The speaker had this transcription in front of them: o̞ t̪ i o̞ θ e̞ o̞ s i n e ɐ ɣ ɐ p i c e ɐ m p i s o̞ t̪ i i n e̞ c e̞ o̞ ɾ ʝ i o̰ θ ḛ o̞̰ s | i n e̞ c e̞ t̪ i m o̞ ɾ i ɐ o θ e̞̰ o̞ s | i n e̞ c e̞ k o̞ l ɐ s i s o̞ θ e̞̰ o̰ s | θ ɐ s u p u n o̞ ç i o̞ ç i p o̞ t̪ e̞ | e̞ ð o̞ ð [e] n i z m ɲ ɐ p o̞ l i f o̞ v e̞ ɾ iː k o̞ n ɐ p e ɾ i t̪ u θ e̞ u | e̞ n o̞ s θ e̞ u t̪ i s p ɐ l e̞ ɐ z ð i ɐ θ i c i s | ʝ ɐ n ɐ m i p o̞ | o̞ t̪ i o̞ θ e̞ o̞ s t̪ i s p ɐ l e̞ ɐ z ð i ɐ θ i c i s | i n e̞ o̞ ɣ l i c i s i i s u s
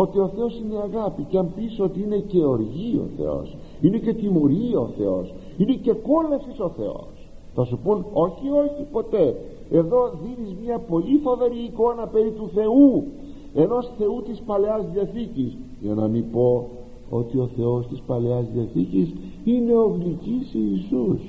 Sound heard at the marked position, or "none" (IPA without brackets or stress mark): i